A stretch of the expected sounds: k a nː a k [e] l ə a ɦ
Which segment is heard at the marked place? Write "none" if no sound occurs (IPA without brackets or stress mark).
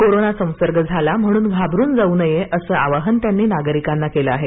e